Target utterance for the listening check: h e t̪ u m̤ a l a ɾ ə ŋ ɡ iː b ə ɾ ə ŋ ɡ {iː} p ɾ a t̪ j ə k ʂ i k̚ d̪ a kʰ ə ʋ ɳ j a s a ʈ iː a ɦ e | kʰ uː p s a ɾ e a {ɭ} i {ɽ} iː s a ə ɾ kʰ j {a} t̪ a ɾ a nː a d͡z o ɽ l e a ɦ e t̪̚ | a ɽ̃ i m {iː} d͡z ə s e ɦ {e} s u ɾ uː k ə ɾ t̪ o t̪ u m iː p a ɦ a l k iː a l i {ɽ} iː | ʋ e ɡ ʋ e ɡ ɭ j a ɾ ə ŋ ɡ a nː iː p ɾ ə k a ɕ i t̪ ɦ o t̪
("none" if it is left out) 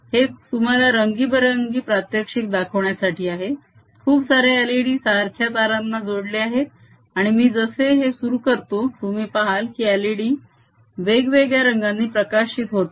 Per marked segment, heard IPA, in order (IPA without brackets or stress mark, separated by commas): iː, l, ɽ, a, iː, e, ɽ